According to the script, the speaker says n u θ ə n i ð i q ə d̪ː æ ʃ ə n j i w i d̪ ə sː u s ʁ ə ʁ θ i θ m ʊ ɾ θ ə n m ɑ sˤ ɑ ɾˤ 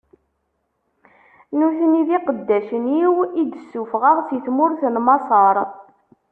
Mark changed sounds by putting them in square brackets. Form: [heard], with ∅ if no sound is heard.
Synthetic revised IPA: n u θ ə n i ð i q ə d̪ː æ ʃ ə n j i w i d̪ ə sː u [f] ʁ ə ʁ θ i θ m ʊ ɾ θ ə n m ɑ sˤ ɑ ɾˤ